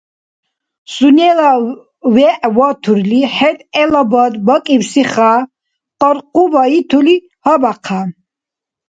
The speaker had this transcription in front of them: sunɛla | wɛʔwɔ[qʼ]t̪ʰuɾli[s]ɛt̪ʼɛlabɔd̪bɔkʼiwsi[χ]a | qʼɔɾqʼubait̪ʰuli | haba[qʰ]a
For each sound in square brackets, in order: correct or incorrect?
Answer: incorrect, incorrect, correct, correct

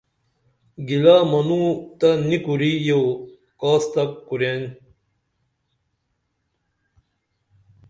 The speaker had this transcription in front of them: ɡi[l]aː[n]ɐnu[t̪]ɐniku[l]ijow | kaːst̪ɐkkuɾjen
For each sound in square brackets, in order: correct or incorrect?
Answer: correct, incorrect, correct, incorrect

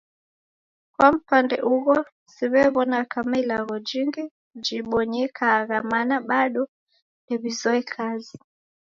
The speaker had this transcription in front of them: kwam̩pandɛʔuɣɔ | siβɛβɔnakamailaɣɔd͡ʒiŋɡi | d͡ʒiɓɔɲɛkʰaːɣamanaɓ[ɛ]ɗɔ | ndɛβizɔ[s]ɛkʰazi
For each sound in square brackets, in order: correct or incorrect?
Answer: incorrect, incorrect

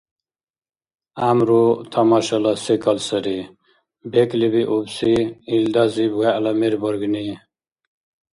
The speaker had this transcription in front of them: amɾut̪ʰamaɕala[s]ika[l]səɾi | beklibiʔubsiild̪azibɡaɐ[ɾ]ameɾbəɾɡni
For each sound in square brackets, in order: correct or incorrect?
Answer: correct, correct, incorrect

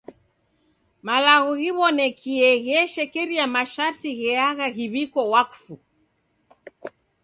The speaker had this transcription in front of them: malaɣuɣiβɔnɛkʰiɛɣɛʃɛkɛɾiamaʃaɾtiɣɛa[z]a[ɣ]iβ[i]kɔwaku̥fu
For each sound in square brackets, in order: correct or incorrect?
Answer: incorrect, correct, correct

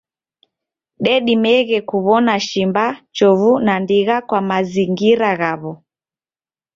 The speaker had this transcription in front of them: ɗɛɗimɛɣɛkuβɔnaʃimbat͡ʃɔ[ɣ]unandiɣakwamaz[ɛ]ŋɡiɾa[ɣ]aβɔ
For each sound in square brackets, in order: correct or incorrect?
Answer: incorrect, incorrect, correct

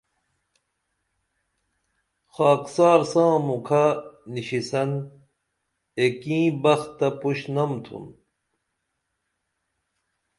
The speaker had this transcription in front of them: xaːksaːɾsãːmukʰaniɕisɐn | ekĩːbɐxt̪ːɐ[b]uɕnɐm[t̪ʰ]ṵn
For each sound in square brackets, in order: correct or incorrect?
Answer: incorrect, correct

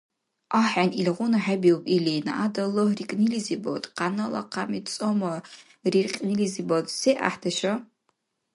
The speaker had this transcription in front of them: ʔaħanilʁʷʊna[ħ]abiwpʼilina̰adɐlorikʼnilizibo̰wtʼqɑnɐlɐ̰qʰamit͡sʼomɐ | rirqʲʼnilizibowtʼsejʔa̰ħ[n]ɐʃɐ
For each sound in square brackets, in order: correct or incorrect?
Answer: correct, incorrect

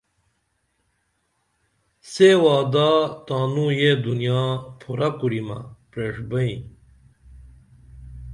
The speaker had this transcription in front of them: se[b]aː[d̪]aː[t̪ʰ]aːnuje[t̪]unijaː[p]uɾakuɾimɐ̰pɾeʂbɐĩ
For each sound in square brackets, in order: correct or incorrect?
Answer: incorrect, correct, incorrect, incorrect, incorrect

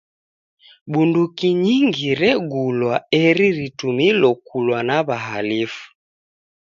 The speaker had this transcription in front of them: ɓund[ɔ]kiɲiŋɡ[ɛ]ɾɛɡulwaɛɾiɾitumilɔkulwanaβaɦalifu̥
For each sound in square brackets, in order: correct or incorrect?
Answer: incorrect, incorrect

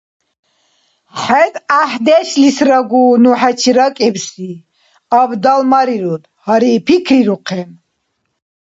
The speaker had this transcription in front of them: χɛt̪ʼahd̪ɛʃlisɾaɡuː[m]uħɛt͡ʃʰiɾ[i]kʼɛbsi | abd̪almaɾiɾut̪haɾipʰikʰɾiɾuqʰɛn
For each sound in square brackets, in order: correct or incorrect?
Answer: incorrect, incorrect

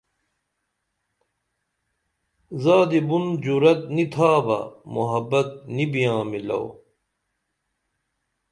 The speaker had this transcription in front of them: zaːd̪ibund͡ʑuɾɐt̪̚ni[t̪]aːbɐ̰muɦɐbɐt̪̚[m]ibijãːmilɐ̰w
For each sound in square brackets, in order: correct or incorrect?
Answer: incorrect, incorrect

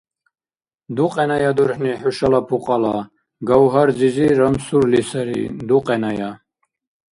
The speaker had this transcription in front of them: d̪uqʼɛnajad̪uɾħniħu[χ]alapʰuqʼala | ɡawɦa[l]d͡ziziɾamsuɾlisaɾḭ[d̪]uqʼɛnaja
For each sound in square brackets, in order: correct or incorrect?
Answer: incorrect, incorrect, correct

